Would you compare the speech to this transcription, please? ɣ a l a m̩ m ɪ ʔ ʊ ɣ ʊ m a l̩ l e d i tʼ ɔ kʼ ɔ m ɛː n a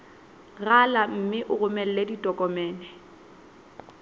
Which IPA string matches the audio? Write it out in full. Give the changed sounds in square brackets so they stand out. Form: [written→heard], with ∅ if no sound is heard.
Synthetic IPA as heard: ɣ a l a m̩ m ɪ ʔ ʊ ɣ ʊ m [a→ɛ] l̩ l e d i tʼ ɔ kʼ ɔ m ɛː n [a→ɛ]